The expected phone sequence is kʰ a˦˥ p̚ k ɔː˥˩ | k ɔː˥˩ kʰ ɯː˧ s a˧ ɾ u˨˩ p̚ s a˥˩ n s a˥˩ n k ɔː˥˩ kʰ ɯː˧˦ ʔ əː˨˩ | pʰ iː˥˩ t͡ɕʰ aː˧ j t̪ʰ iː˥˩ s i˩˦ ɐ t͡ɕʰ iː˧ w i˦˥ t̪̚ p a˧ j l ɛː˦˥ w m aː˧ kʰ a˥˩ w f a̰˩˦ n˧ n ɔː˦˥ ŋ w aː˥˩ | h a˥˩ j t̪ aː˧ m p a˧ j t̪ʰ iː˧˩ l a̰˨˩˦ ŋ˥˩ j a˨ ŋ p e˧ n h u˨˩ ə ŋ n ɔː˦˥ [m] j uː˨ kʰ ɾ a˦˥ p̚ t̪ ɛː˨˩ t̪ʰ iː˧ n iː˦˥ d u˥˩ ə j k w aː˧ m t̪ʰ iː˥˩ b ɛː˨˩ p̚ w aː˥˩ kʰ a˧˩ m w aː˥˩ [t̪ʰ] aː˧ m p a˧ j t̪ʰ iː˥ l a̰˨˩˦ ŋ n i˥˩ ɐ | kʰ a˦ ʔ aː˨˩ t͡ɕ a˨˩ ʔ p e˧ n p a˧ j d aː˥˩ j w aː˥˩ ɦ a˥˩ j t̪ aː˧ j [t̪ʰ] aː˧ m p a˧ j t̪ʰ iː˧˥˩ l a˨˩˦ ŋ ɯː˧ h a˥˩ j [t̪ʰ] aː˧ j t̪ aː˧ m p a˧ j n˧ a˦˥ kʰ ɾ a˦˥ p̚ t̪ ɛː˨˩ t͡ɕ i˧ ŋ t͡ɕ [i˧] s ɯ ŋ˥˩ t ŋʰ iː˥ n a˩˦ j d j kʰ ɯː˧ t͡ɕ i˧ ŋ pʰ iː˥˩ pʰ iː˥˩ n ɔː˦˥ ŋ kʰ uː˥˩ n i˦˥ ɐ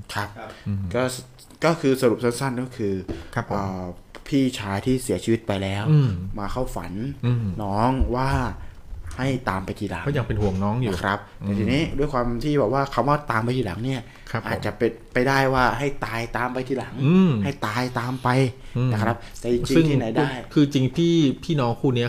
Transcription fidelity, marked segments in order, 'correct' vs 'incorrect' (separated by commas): incorrect, incorrect, incorrect, incorrect, correct